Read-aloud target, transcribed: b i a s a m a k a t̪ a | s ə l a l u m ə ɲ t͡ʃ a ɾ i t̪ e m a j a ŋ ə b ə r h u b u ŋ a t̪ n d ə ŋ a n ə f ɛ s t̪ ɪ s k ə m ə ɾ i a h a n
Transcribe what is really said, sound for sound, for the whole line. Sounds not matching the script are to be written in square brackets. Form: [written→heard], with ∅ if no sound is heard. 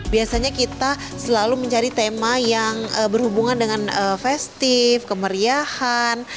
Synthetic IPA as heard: b i a s a [m→ɲ] a k [a→i] t̪ a | s ə l a l u m ə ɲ t͡ʃ a ɾ i t̪ e m a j a ŋ ə b ə r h u b u ŋ a [t̪→∅] n d ə ŋ a n ə f ɛ s t̪ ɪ [s→f] k ə m ə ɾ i a h a n

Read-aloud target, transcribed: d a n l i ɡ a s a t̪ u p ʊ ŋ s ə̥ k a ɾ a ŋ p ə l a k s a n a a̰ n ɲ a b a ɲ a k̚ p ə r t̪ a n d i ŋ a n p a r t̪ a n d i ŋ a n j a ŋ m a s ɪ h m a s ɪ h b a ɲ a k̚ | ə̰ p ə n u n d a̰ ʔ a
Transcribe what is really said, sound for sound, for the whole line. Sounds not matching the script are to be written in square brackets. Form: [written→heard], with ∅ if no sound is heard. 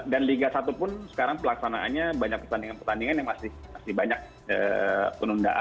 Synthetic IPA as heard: d a n l i ɡ a s a t̪ u p ʊ [ŋ→n] s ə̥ k a ɾ a ŋ p ə l a k s a n a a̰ n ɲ a b a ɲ a k̚ p ə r t̪ a n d i ŋ a n p [a→ə] r t̪ a n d i ŋ a n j a ŋ m a s ɪ h m a s ɪ h b a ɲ a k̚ | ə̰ p ə n u n d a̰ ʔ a

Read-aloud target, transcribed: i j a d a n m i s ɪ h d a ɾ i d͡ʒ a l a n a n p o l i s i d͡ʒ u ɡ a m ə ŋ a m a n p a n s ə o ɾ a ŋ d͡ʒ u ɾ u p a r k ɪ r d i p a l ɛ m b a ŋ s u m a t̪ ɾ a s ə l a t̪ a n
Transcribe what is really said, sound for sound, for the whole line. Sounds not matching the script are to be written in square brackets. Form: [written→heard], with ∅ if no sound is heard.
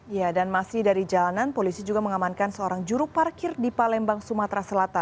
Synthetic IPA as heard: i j a d a n m [i→a] s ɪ h d a ɾ i d͡ʒ a l a n a n p o l i s i d͡ʒ u ɡ a m ə ŋ a m a n [p→k] a n s ə o ɾ a ŋ d͡ʒ u ɾ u p a r k ɪ r d i p a l ɛ m b a ŋ s u m a t̪ ɾ a s ə l a t̪ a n

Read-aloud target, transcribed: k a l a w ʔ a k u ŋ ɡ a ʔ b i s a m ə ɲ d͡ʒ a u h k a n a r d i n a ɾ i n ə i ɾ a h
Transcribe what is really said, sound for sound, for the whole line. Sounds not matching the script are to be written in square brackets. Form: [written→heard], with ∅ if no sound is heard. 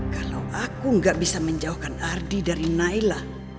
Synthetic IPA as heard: k a l a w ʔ a k u ŋ ɡ a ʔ b i s a m ə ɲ d͡ʒ a u h k a n a r d i [n→d] a ɾ i n [ə→a] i [ɾ→l] a h

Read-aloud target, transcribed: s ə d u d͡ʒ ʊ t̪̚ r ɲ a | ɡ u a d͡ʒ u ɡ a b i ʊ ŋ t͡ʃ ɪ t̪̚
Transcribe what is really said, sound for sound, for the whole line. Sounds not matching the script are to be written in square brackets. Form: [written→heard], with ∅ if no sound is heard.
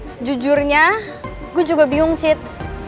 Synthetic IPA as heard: s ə [d→d͡ʒ] u d͡ʒ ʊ [t̪̚→∅] r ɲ a | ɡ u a d͡ʒ u ɡ a b i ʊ ŋ t͡ʃ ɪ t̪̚

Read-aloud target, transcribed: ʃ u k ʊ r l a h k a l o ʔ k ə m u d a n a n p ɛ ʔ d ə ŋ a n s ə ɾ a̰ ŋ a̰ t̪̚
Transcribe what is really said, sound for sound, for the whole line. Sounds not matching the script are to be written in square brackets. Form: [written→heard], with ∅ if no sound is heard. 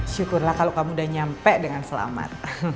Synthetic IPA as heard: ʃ u k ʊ r l a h k a l o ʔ k [ə→a] m u d a [n→ɲ] a [n→m] p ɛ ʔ d ə ŋ a n s ə [ɾ→l] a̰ [ŋ→m] a̰ t̪̚

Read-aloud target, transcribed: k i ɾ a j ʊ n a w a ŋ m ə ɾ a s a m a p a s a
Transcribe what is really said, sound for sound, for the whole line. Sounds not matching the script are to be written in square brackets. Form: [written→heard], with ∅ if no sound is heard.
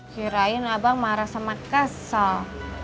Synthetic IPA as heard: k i ɾ a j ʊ n a [w→b] a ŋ m [ə→a] ɾ a s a m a [p→k] a s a

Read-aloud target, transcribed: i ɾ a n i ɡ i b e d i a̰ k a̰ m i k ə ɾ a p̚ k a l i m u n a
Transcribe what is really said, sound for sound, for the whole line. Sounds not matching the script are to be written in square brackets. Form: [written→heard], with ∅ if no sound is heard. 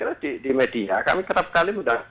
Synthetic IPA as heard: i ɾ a [n→d] i [ɡ→d] i [b→m] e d i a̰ k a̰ m i k ə ɾ a p̚ k a l i m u [n→d] a

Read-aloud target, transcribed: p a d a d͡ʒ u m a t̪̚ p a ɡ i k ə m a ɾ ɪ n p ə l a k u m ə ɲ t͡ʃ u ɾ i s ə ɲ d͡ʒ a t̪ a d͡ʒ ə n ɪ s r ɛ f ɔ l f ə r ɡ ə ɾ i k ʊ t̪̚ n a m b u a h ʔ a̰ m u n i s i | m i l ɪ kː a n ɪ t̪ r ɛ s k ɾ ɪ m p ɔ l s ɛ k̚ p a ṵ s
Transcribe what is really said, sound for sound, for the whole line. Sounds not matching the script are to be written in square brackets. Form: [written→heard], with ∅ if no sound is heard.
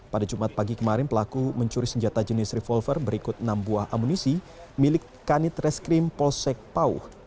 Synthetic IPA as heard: p a d a d͡ʒ u m a t̪̚ p a ɡ i k ə m a ɾ ɪ n p ə l a k u m ə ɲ t͡ʃ u ɾ i s ə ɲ d͡ʒ a t̪ a d͡ʒ ə n ɪ s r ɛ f ɔ l f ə r [ɡ→b] ə ɾ i k ʊ t̪̚ n a m b u a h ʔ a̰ m u n i s i | m i l ɪ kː a n ɪ t̪ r ɛ s k ɾ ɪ m p ɔ l s ɛ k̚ p a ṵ [s→h]

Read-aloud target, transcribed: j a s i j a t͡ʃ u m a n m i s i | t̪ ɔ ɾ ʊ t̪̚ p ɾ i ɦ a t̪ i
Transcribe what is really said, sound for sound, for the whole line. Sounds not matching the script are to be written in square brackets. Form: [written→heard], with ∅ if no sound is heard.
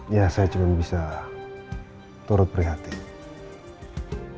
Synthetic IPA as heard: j a s [i→a] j a t͡ʃ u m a n [m→b] i s [i→a] | t̪ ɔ ɾ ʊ t̪̚ p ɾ i ɦ a t̪ i

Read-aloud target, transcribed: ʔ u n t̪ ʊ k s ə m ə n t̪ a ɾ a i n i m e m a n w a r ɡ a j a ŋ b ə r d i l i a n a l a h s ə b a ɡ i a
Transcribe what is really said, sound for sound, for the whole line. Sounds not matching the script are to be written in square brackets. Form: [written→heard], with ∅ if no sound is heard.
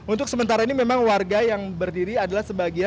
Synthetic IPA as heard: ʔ u n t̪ ʊ k s ə m ə n t̪ a ɾ a i n i m e m a [n→ŋ] w a r ɡ a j a ŋ b ə r d i [l→ɾ] i a [n→d] a l a h s ə b a ɡ i a

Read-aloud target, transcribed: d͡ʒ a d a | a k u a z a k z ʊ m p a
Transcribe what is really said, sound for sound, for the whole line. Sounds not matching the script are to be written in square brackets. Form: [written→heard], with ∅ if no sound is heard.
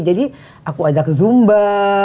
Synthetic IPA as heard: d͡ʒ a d [a→i] | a k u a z a k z [ʊ→u] m [p→b] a

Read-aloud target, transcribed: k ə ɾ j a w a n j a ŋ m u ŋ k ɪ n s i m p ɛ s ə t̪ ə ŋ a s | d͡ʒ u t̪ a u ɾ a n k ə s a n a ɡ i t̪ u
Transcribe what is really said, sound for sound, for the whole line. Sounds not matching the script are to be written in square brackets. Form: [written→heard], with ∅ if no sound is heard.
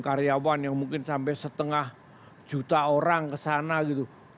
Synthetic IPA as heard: k [ə→a] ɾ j a w a n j a ŋ m u ŋ k ɪ n s [i→a] m p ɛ s ə t̪ ə ŋ a [s→h] | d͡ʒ u t̪ a [u→o] ɾ a [n→ŋ] k ə s a n a ɡ i t̪ u

